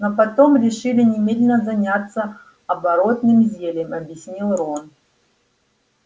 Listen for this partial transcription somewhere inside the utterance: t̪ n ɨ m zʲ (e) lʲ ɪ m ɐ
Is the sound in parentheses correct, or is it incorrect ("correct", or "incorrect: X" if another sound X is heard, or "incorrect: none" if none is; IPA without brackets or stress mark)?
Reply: correct